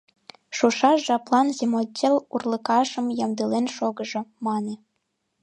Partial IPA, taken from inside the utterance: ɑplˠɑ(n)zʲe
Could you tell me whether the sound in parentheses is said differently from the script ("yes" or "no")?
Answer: no